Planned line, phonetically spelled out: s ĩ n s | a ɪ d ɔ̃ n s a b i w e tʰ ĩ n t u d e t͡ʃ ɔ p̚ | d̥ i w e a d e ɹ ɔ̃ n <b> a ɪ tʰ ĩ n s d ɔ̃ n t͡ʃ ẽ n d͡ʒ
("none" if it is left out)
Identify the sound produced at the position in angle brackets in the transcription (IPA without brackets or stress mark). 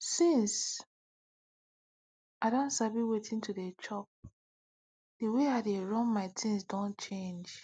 m